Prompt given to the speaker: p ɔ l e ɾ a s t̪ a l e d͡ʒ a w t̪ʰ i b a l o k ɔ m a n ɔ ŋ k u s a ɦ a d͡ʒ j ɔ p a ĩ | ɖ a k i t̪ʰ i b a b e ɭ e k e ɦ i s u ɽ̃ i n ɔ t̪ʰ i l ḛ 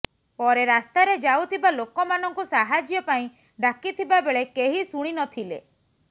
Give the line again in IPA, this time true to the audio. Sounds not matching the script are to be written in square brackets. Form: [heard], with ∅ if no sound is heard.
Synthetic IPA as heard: p ɔ [ɾ] e ɾ a s t̪ a [ɾ] e d͡ʒ a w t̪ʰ i b a l o k ɔ m a n ɔ ŋ k u s a ɦ a d͡ʒ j ɔ p a ĩ | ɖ a k i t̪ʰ i b a b e ɭ e k e ɦ i s u ɽ̃ i n ɔ t̪ʰ i l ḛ